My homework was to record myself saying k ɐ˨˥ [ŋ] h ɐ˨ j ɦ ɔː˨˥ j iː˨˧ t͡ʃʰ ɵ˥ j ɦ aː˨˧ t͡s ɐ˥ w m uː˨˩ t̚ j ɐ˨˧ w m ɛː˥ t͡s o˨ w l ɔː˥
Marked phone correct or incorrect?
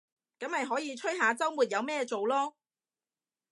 incorrect